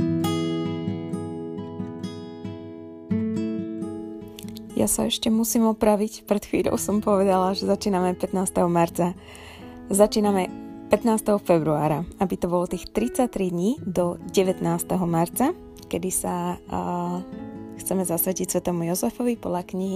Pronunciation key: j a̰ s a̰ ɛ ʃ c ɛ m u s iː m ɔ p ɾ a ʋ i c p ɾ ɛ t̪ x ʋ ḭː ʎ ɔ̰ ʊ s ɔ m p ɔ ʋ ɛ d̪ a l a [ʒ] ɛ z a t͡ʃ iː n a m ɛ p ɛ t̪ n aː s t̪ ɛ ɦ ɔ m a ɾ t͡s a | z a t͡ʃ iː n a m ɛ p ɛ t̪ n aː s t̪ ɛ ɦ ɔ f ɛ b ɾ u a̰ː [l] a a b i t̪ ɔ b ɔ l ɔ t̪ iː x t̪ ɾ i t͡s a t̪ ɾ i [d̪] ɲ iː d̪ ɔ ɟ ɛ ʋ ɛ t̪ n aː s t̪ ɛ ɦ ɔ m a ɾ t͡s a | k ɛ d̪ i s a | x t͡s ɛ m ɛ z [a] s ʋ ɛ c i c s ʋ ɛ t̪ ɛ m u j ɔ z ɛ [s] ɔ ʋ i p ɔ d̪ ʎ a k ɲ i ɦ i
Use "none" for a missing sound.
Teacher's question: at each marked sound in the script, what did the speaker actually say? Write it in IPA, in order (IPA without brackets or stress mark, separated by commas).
ʒ, ɾ, d̪, a, f